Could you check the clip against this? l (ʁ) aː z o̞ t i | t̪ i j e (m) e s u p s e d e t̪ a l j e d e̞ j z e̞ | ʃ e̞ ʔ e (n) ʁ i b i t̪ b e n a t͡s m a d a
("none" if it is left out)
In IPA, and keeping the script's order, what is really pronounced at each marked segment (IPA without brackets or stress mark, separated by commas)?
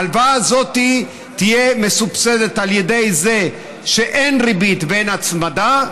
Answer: v, m, n